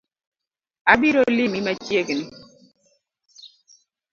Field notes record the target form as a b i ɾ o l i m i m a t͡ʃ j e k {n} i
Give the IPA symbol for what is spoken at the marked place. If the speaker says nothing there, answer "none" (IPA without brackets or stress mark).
n